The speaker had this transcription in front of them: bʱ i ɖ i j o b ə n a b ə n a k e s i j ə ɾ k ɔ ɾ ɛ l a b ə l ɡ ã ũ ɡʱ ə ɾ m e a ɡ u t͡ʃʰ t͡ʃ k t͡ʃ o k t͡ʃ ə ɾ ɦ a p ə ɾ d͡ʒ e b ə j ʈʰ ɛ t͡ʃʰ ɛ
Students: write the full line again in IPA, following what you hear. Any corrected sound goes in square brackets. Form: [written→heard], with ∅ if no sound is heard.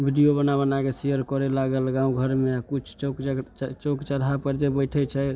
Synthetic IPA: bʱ i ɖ i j o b ə n a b ə n a k e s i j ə ɾ k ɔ ɾ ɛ l a [b→ɡ] ə l ɡ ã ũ ɡʱ ə ɾ m e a [ɡ→k] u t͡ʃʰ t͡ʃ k t͡ʃ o k t͡ʃ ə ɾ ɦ a p ə ɾ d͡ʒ e b ə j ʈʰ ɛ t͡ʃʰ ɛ